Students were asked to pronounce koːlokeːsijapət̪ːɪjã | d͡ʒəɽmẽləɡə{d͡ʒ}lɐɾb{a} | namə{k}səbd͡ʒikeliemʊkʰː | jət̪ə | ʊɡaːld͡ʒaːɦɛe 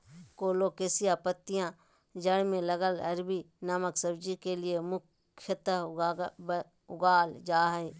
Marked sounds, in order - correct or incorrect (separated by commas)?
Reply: incorrect, incorrect, correct